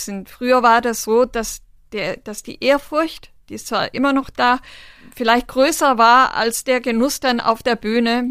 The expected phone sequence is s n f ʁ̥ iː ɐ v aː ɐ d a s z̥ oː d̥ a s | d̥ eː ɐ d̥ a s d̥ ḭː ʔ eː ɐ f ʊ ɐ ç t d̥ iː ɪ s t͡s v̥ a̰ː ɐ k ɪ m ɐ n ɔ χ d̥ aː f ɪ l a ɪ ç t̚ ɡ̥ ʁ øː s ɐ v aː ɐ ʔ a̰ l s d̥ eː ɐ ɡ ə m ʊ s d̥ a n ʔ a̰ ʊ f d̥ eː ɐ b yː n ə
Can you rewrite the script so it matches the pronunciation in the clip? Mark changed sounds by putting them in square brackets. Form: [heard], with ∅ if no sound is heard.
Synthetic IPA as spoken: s n f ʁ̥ [yː] ɐ v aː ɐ d a s z̥ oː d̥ a s | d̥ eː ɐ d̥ a s d̥ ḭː ʔ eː ɐ f ʊ ɐ ç t d̥ iː ɪ s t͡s v̥ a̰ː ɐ [ʔ] ɪ m ɐ n ɔ χ d̥ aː f ɪ l a ɪ ç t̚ ɡ̥ ʁ øː s ɐ v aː ɐ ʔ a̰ l s d̥ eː ɐ ɡ ə [n] ʊ s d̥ a n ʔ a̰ ʊ f d̥ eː ɐ b yː n ə